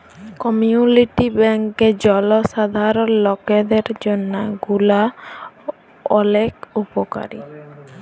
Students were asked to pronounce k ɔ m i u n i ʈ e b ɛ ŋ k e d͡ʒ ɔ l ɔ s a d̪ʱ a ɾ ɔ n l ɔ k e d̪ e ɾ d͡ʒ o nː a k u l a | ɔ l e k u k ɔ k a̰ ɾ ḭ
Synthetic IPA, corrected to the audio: k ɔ m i u n i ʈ i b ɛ ŋ k e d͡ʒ ɔ l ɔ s a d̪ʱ a ɾ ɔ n l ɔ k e d̪ e ɾ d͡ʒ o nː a ɡ u l a | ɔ l e k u p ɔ k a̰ ɾ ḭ